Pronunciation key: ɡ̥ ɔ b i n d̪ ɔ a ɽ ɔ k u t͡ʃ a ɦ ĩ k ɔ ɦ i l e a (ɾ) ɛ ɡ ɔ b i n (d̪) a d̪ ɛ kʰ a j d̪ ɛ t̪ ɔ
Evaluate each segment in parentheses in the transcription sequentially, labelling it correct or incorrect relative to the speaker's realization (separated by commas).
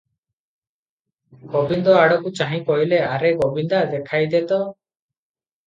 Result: correct, correct